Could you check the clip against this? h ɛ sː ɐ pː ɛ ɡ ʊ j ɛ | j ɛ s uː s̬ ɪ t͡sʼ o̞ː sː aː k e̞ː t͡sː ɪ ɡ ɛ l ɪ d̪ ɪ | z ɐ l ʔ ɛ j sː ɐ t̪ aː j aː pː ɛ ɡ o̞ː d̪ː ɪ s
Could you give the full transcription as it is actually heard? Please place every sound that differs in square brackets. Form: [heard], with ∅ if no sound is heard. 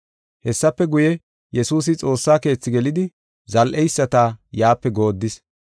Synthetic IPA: h ɛ sː ɐ pː ɛ ɡ ʊ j ɛ | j ɛ s uː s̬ ɪ t͡sʼ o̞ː sː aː k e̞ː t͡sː ɪ ɡ ɛ l ɪ d̪ ɪ | z ɐ l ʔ ɛ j sː ɐ t̪ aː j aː pː ɛ ɡ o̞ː d̪ː ɪ s

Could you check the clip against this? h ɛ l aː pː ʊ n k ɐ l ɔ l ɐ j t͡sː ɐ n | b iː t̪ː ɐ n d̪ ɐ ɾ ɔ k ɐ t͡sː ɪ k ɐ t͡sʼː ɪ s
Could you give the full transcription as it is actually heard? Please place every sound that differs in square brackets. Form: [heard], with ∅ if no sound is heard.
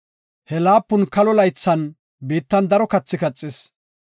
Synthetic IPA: h ɛ l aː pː ʊ n k ɐ l ɔ l ɐ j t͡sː ɐ n | b iː t̪ː ɐ n d̪ ɐ ɾ ɔ k ɐ t͡sː ɪ k ɐ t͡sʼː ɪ s

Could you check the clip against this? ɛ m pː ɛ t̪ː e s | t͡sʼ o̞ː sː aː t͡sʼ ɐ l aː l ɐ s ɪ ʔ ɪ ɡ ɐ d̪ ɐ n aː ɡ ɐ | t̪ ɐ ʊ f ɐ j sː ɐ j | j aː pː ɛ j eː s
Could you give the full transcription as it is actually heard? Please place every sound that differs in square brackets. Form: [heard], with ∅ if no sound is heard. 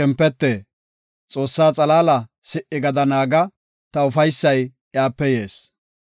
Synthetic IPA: ɛ m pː ɛ t̪ː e [∅] | t͡sʼ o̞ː sː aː t͡sʼ ɐ l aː l ɐ s ɪ ʔ ɪ ɡ ɐ d̪ ɐ n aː ɡ ɐ | t̪ ɐ ʊ f ɐ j sː ɐ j | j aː pː ɛ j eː s

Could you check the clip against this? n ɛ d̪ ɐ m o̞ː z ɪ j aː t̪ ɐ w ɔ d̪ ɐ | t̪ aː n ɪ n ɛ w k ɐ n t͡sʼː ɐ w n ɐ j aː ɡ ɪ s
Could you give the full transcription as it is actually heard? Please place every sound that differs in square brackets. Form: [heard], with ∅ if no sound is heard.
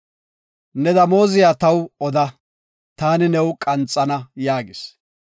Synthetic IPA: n ɛ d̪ ɐ m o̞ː z ɪ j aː t̪ ɐ w ɔ d̪ ɐ | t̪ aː n ɪ n ɛ w [kʼ] ɐ n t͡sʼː ɐ [∅] n ɐ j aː ɡ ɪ s

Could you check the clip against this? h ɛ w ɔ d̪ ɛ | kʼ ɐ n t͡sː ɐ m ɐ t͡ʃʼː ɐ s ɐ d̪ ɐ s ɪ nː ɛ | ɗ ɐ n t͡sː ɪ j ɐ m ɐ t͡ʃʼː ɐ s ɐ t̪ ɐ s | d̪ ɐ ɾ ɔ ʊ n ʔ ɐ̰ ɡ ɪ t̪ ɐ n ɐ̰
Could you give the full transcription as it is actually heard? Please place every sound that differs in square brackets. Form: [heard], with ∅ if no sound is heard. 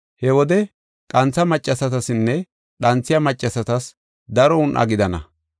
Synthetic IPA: h ɛ w ɔ d̪ ɛ | kʼ ɐ n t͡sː ɐ m ɐ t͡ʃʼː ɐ s ɐ [t̪] ɐ s ɪ nː ɛ | ɗ ɐ n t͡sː ɪ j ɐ m ɐ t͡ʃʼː ɐ s ɐ t̪ ɐ s | d̪ ɐ ɾ ɔ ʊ n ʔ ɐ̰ ɡ ɪ [d̪] ɐ n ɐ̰

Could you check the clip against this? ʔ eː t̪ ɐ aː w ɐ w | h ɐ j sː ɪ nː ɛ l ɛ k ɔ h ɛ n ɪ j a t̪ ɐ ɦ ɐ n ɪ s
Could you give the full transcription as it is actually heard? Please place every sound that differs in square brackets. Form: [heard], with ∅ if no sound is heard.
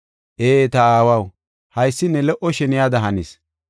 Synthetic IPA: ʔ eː t̪ ɐ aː w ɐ w | h ɐ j sː ɪ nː ɛ l ɛ [ʔ] ɔ [ʃ] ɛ n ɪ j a [d̪] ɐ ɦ ɐ n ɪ s

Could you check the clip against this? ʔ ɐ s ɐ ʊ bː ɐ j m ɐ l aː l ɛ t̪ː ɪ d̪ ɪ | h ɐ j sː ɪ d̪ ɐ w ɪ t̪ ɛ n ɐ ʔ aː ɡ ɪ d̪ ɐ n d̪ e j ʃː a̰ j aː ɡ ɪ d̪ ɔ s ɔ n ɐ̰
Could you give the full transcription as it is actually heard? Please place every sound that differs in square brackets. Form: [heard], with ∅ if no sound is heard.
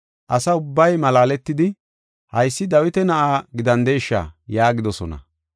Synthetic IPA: ʔ ɐ s ɐ ʊ bː ɐ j m ɐ l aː l ɛ t̪ː ɪ d̪ ɪ | h ɐ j sː ɪ d̪ ɐ w ɪ t̪ ɛ n ɐ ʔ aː ɡ ɪ d̪ ɐ n d̪ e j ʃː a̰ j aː ɡ ɪ d̪ ɔ s ɔ n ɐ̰

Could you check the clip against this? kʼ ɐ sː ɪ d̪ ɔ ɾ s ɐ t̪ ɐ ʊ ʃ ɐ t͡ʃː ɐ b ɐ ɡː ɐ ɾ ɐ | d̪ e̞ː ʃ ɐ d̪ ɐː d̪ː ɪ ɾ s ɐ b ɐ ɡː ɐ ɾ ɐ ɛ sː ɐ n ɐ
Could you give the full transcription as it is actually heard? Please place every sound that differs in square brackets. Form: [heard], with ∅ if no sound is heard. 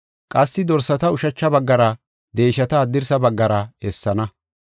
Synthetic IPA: kʼ ɐ sː ɪ d̪ ɔ ɾ s ɐ t̪ ɐ ʊ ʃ ɐ t͡ʃː ɐ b ɐ ɡː ɐ ɾ ɐ | d̪ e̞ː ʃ ɐ [t̪] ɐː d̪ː ɪ ɾ s ɐ b ɐ ɡː ɐ ɾ ɐ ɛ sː ɐ n ɐ

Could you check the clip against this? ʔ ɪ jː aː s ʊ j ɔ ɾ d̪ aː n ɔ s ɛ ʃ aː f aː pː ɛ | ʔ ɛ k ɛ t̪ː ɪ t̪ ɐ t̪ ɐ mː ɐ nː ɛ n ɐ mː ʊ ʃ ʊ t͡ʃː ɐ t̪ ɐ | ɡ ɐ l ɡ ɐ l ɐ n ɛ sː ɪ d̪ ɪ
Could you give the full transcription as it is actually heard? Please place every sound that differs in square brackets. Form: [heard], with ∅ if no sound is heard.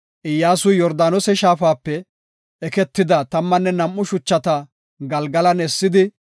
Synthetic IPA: ʔ ɪ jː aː s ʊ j ɔ ɾ d̪ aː n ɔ s ɛ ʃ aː f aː pː ɛ | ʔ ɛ k ɛ t̪ː ɪ [d̪] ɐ t̪ ɐ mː ɐ nː ɛ n ɐ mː ʊ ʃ ʊ t͡ʃː ɐ t̪ ɐ | ɡ ɐ l ɡ ɐ l ɐ n ɛ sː ɪ d̪ ɪ

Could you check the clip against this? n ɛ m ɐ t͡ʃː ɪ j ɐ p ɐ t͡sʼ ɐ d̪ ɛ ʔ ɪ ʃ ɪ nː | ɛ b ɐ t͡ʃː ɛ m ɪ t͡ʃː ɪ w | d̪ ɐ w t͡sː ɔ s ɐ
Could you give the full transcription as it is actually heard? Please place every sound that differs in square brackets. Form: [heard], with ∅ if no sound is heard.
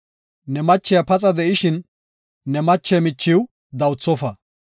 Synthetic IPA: n ɛ m ɐ t͡ʃː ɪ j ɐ p ɐ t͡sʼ ɐ d̪ ɛ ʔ ɪ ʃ ɪ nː | ɛ [m] ɐ t͡ʃː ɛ m ɪ t͡ʃː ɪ w | d̪ ɐ w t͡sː ɔ [f] ɐ

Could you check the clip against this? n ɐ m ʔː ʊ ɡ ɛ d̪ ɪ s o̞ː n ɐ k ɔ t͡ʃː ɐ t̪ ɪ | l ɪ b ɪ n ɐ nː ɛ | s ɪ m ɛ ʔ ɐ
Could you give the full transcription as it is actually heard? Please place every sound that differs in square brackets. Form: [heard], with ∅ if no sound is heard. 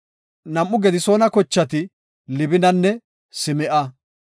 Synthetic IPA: n ɐ m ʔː ʊ ɡ ɛ d̪ ɪ s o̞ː n ɐ k ɔ t͡ʃː ɐ t̪ ɪ | l ɪ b ɪ n ɐ nː ɛ | s ɪ m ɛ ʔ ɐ

